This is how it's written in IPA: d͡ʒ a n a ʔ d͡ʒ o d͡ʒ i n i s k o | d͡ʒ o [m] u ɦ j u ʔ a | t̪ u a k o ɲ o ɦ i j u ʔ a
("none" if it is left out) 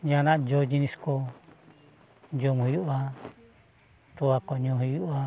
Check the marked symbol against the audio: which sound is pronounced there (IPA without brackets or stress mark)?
m